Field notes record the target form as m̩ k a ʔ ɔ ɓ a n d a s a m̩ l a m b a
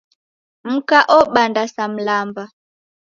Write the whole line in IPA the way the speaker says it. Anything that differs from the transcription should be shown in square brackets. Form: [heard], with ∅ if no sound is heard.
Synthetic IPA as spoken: m̩ k a ʔ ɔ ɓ a n d a s a m̩ l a m b a

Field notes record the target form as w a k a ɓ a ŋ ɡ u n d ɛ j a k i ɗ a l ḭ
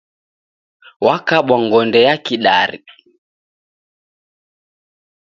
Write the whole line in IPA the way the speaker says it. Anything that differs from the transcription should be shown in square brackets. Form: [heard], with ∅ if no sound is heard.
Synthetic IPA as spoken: w a k a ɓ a ŋ ɡ [ɔ] n d ɛ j a k i ɗ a [ɾ] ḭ

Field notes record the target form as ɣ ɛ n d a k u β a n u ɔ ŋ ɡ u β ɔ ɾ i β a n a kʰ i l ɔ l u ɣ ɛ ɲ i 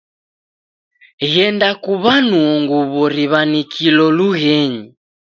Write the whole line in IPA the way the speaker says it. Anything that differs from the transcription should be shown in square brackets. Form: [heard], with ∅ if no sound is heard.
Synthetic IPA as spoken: ɣ ɛ n d a k u β a n u ɔ ŋ ɡ u β ɔ ɾ i β a n [i] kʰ i l ɔ l u ɣ ɛ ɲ i

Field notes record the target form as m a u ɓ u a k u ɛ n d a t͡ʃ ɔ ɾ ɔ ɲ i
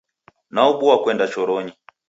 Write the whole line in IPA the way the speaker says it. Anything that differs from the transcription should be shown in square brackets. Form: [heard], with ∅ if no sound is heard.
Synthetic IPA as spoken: [n] a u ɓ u a k [w] ɛ n d a t͡ʃ ɔ ɾ ɔ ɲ i

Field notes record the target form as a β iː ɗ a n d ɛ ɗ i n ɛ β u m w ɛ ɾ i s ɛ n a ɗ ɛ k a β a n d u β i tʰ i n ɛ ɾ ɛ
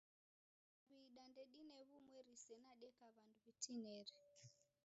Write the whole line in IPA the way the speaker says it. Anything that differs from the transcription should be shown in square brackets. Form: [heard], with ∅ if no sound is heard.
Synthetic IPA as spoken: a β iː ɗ a n d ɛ ɗ i n ɛ β u m w ɛ ɾ i s ɛ n a ɗ ɛ k a β a n d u β i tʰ i n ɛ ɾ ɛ

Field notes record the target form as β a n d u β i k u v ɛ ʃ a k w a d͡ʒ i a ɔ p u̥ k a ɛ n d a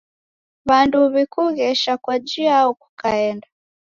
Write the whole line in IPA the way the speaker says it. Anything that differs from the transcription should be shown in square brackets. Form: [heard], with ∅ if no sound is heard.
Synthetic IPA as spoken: β a n d u β i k u [ɣ] ɛ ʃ a k w a d͡ʒ i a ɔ [k] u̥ k a ɛ n d a

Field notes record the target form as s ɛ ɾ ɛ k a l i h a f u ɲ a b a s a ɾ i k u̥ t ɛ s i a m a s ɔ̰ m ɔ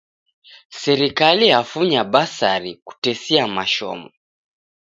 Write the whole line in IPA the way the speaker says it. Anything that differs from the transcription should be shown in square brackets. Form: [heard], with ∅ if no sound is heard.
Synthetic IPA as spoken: s ɛ ɾ [i] k a l i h a f u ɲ a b a s a ɾ i k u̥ t ɛ s i a m a [ʃ] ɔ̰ m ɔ

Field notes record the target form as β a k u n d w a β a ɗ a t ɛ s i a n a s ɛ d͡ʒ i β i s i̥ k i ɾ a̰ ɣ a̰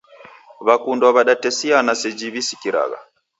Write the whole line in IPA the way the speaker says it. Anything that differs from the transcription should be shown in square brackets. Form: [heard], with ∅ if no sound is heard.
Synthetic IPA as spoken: β a k u n d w a β a ɗ a t ɛ s i a n a s ɛ d͡ʒ i β i s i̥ k i ɾ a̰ ɣ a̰

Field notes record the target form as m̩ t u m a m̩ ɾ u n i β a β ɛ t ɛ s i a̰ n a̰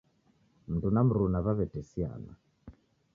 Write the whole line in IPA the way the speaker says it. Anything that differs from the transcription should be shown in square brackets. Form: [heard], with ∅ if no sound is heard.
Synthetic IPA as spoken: m̩ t u [n] a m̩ ɾ u n [a] β a β ɛ t ɛ s i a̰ n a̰

